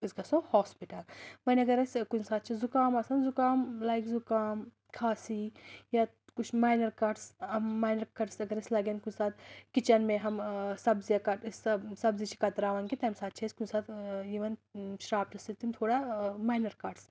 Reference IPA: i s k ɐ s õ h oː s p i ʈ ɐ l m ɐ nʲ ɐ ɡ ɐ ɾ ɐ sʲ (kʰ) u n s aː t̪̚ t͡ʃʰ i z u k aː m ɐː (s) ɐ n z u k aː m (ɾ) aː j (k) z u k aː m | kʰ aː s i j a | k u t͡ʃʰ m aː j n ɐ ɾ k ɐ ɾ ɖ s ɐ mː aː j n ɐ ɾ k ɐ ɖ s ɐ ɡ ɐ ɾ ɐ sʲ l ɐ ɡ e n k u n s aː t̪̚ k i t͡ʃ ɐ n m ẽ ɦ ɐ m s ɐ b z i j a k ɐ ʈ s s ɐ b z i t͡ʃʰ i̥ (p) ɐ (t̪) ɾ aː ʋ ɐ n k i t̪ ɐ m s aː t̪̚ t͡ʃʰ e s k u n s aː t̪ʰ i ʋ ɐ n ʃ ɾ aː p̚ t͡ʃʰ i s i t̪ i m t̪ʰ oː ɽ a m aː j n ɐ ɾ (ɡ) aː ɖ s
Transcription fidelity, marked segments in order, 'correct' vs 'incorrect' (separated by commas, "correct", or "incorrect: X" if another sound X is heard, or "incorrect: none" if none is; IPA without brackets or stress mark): incorrect: k, correct, incorrect: l, correct, incorrect: k, correct, incorrect: k